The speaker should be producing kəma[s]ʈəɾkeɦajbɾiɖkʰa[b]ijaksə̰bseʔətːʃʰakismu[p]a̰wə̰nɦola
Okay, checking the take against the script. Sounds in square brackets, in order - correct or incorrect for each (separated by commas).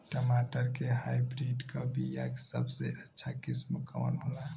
incorrect, correct, incorrect